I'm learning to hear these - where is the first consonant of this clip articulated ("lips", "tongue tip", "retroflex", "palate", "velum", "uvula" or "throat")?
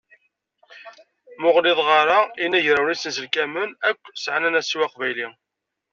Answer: lips